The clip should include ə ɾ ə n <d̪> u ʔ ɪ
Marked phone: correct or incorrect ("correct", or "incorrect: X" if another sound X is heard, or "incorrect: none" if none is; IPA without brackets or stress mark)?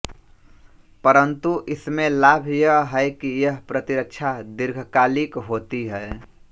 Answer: incorrect: t̪